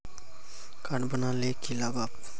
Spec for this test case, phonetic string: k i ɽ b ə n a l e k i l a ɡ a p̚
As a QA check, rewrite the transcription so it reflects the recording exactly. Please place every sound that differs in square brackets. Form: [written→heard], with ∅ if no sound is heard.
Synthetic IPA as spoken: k [i→a] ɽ b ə n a l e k i l a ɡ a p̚